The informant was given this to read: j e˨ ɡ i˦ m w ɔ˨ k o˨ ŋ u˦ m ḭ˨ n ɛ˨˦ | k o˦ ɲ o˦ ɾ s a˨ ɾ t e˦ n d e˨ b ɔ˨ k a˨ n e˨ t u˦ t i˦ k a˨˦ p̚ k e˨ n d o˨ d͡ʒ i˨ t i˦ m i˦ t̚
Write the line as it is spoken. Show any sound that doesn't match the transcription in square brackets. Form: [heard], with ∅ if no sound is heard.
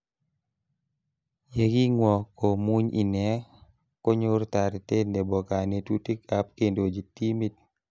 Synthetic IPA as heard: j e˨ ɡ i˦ [ŋ] w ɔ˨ k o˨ [m] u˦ [ɲ] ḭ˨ n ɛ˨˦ | k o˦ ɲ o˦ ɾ [t] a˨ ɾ t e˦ n d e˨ b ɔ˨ k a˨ n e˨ t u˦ t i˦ k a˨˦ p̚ k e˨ n d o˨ d͡ʒ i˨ t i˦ m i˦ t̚